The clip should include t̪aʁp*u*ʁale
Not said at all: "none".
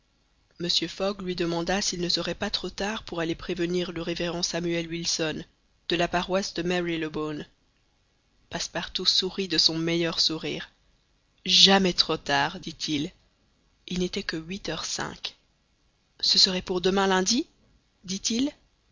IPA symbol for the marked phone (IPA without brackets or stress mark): u